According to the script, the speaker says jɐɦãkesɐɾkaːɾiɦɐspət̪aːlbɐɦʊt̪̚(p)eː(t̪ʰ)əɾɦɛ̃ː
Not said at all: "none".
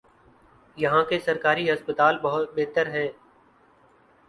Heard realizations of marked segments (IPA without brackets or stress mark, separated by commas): b, t̪